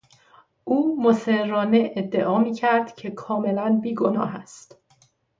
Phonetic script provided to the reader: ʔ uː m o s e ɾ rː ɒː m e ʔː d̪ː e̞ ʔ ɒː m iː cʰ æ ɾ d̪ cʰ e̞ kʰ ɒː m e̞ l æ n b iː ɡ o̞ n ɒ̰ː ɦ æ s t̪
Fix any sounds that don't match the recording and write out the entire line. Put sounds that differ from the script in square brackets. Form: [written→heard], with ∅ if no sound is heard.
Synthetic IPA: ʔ uː m o s e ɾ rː ɒː [m→n] e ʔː d̪ː e̞ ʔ ɒː m iː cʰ æ ɾ d̪ cʰ e̞ kʰ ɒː m e̞ l æ n b iː ɡ o̞ n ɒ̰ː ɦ æ s t̪